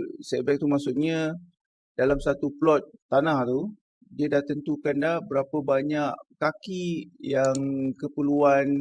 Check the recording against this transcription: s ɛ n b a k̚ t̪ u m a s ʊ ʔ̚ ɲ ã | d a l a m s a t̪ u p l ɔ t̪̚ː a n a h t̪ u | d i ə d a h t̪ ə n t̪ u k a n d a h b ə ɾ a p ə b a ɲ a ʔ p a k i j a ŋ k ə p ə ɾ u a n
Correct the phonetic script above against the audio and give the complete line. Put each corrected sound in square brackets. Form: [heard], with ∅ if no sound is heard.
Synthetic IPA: s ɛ [∅] b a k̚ t̪ u m a s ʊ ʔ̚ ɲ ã | d a l a m s a t̪ u p l ɔ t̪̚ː a n a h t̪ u | d i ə d a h t̪ ə n t̪ u k a n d a h b ə ɾ a p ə b a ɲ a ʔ [k] a k i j a ŋ k ə p ə [l] u a n